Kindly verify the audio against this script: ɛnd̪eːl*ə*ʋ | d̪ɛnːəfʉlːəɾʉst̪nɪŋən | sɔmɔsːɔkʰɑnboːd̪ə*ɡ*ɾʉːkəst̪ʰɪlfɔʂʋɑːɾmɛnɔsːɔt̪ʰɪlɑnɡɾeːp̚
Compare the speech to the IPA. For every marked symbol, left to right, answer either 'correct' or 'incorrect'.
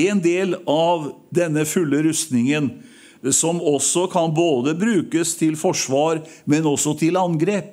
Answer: incorrect: ɑ, incorrect: b

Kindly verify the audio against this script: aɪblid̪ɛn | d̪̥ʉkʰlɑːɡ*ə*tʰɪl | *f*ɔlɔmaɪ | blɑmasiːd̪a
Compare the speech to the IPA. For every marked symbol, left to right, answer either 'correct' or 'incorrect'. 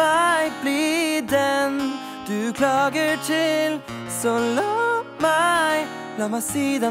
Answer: correct, incorrect: s

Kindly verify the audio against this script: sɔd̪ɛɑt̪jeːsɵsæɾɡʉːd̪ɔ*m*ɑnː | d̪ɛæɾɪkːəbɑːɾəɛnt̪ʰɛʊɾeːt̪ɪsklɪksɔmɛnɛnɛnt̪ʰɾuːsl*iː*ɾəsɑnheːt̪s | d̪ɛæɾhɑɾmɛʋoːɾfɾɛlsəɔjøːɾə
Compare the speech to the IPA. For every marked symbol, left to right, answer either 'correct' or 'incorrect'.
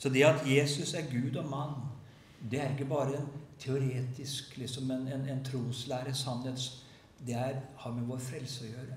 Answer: correct, incorrect: æː

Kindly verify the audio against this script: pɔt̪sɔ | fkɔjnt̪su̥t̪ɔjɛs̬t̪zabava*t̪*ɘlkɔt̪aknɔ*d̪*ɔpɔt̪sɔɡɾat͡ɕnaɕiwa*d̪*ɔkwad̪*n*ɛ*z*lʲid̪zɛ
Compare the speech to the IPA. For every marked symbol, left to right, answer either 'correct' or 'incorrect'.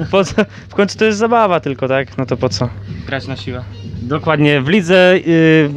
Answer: correct, incorrect: t̪, correct, incorrect: ɲ, incorrect: v

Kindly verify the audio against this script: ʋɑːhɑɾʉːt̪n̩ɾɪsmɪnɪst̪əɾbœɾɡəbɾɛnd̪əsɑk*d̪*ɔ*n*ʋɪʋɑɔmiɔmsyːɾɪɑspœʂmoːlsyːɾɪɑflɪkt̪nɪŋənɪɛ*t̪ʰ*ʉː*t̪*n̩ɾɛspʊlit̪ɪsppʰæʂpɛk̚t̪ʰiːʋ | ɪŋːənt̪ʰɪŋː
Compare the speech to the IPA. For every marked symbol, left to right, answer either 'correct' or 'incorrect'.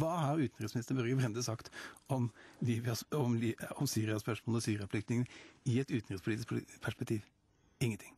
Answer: incorrect: t̪, incorrect: m, incorrect: t̪, correct

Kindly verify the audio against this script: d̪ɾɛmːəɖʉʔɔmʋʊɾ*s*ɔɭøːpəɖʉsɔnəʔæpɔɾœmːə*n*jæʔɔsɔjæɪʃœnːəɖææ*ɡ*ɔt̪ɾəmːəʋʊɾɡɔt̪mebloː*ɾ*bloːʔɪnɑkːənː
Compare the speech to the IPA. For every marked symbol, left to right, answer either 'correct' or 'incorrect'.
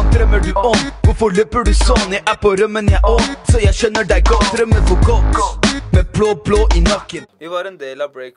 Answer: incorrect: f, correct, correct, incorrect: none

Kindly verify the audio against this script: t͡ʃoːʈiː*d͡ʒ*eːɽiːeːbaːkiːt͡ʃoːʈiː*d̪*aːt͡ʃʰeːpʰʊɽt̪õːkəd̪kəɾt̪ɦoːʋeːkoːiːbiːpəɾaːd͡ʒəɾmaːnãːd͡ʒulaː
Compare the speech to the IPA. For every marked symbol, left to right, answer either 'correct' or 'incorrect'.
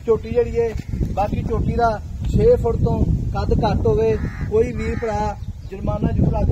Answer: correct, correct

